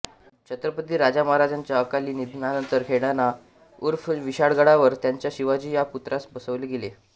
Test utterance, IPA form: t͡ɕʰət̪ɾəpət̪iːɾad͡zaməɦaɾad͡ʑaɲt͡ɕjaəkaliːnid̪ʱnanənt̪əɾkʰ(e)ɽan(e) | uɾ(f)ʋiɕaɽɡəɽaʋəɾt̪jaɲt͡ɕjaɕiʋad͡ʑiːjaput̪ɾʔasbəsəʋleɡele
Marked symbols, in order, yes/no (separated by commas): yes, no, yes